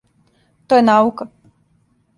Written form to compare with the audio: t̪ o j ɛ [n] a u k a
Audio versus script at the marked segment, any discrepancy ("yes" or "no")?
no